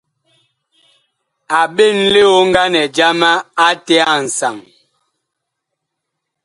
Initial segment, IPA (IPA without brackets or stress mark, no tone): a